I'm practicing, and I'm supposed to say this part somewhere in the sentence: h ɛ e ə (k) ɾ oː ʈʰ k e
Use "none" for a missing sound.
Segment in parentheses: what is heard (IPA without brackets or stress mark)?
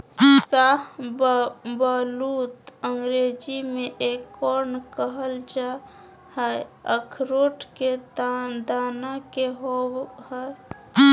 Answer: kʰ